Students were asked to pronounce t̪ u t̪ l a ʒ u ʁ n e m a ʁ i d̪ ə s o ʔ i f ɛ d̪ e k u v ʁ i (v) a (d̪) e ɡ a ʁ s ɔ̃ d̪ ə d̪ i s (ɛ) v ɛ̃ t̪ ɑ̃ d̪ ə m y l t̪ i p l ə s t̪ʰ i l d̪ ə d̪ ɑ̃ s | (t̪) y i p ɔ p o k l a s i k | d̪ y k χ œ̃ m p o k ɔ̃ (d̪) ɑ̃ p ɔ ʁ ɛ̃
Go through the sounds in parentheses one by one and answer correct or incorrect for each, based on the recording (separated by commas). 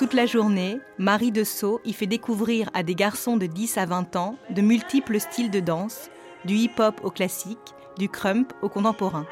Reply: incorrect, correct, incorrect, incorrect, incorrect